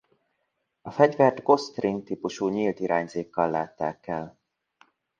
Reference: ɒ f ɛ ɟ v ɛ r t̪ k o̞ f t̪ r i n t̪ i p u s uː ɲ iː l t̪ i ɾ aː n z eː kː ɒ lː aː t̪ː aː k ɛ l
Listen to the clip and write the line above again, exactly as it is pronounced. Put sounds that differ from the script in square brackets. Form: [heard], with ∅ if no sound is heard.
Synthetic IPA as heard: ɒ f ɛ ɟ v ɛ r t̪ [ɡ] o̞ [s] t̪ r i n t̪ i p u [ʃ] uː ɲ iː l t̪ i ɾ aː [ɲ] z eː kː ɒ lː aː t̪ː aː k ɛ l